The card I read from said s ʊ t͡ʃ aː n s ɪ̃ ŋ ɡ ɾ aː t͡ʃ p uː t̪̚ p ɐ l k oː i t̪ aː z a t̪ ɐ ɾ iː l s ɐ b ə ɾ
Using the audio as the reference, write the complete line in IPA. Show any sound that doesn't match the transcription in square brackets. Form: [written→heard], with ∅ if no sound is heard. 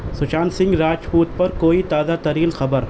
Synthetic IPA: s ʊ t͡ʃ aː n s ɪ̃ ŋ ɡ ɾ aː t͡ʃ p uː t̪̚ p ɐ [l→ɾ] k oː i t̪ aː z a t̪ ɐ ɾ iː l [s→x] ɐ b ə ɾ